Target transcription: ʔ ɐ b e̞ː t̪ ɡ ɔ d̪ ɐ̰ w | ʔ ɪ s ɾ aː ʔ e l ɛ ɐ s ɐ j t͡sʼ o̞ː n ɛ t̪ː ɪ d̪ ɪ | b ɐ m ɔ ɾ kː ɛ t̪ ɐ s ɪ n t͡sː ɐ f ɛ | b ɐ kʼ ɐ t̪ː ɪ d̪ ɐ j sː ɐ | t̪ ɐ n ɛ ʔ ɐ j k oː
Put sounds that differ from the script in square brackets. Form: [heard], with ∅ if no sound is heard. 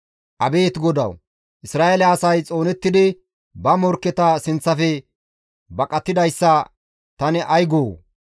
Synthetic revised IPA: ʔ ɐ b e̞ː t̪ ɡ ɔ d̪ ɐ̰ w | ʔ ɪ s ɾ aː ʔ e l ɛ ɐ s ɐ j t͡sʼ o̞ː n ɛ t̪ː ɪ d̪ ɪ | b ɐ m ɔ ɾ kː ɛ t̪ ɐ s ɪ n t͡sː ɐ f ɛ | b ɐ kʼ ɐ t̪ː ɪ d̪ ɐ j sː ɐ | t̪ ɐ n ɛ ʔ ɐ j [ɡ] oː